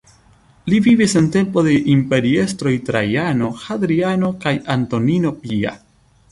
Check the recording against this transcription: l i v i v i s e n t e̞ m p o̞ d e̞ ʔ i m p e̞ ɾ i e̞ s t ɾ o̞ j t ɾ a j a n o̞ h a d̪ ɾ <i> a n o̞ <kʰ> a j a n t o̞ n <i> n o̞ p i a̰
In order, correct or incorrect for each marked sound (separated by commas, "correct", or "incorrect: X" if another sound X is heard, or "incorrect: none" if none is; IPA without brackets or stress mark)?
correct, incorrect: k, correct